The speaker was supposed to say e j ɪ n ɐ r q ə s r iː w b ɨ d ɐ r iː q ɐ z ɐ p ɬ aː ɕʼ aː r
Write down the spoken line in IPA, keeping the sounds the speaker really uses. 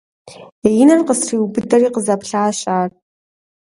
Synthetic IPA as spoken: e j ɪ n ɐ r q ə s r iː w b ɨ d ɐ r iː q ə z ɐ p ɬ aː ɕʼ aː r

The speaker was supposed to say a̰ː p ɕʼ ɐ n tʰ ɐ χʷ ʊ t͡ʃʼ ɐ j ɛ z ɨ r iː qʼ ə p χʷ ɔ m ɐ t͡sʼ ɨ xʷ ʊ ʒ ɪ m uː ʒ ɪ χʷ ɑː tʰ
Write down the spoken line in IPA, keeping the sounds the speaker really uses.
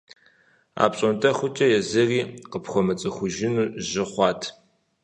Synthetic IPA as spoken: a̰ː p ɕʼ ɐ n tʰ ɐ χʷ ʊ t͡ʃʼ ɐ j ɛ z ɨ r iː q ə p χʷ ɔ m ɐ t͡sʼ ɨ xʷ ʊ ʒ ɪ n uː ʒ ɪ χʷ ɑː tʰ

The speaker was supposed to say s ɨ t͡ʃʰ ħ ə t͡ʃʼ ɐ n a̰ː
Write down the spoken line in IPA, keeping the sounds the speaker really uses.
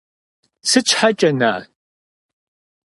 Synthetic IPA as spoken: s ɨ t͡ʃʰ ħ a t͡ʃʼ ɐ n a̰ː

